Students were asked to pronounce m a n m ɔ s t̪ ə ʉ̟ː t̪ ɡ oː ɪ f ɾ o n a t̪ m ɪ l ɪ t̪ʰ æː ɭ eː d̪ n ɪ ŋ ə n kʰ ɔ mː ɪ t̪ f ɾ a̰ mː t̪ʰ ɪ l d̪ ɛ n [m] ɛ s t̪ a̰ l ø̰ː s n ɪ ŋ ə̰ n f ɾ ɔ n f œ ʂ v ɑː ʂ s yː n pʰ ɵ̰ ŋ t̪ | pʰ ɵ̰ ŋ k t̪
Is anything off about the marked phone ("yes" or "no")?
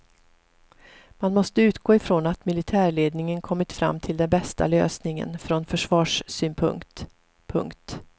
yes